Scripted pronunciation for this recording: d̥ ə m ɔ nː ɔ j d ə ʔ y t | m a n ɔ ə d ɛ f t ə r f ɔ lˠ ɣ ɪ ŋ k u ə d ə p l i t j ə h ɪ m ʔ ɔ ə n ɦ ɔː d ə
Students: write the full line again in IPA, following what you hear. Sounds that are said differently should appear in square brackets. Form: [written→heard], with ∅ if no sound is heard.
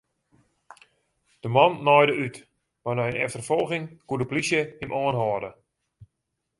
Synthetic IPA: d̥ ə m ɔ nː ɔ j d ə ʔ y t | m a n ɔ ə [d→n] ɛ f t ə r f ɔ lˠ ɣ ɪ ŋ k u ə d ə p l i [t→s] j ə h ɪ m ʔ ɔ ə n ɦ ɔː d ə